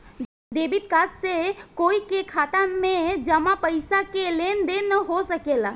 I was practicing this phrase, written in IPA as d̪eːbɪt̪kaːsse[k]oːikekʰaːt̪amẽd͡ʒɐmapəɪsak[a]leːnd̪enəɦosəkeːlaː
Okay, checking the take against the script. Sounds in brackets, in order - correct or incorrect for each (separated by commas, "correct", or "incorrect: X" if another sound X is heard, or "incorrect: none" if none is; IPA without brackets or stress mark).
correct, incorrect: e